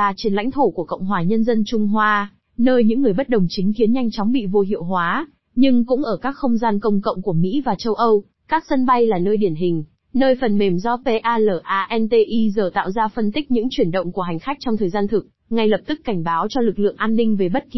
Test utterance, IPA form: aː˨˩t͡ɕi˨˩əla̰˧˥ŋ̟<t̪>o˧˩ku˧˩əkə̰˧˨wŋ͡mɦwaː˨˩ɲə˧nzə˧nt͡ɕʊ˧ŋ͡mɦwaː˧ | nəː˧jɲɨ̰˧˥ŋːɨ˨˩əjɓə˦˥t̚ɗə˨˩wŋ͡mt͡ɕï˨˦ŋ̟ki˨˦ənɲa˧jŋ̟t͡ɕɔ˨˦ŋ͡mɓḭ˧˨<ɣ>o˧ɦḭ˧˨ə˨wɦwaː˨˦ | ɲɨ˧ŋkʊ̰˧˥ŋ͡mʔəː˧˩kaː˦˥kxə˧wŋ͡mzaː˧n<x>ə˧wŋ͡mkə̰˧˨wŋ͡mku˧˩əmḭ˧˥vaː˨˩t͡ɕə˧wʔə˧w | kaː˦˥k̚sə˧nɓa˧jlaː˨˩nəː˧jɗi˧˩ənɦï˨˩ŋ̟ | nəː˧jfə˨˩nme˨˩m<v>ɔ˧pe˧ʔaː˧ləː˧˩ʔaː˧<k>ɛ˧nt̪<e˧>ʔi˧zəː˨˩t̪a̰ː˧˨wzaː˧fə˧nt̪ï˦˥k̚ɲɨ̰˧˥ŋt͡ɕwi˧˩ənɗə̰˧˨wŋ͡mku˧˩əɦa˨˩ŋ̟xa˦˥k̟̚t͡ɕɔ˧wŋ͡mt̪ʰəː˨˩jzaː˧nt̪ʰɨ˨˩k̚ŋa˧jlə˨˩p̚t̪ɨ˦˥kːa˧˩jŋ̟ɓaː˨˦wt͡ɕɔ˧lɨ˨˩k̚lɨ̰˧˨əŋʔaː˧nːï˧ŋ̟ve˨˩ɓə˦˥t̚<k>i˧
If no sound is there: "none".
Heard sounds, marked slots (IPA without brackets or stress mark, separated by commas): t̪ʰ, v, k, z, ʔ, e˧, k